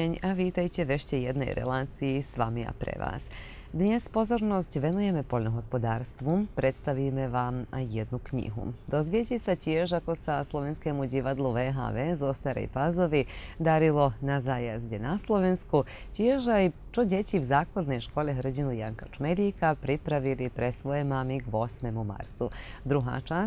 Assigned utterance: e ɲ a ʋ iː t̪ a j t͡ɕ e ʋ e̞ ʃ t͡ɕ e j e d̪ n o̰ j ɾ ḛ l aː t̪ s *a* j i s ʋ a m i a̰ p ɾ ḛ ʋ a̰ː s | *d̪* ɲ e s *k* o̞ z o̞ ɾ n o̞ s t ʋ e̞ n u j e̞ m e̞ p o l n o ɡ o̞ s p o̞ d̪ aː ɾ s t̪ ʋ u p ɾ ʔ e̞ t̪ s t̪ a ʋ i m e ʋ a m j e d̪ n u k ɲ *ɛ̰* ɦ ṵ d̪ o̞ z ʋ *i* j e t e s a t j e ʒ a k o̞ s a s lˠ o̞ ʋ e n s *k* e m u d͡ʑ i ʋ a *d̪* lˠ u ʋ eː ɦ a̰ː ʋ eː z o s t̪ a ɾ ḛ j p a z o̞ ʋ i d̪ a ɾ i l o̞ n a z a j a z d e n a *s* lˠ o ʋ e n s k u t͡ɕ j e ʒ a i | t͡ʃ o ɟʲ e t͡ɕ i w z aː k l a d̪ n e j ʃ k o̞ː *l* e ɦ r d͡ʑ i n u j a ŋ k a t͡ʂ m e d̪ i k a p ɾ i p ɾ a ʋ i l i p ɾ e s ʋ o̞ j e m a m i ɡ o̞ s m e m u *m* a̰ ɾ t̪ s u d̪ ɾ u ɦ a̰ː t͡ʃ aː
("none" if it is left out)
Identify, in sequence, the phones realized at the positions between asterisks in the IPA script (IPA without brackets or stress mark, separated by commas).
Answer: i, d̪, p, ḭ, i, k, d̪, s, l, m